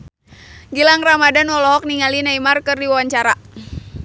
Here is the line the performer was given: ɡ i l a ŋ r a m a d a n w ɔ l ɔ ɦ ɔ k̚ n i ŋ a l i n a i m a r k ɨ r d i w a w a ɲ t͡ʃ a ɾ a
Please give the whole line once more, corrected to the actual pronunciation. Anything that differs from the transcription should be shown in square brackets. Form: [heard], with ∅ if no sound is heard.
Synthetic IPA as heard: ɡ i l a ŋ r a m a d a n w ɔ l ɔ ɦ ɔ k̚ n i ŋ a l i n a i m a r k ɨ r d i w a w a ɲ t͡ʃ a ɾ a